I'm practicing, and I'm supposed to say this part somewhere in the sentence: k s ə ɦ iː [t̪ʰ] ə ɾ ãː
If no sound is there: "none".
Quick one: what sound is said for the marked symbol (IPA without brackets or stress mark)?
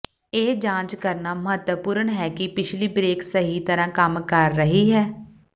t̪